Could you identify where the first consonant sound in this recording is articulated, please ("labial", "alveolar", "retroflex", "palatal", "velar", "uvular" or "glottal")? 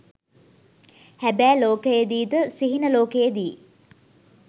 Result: glottal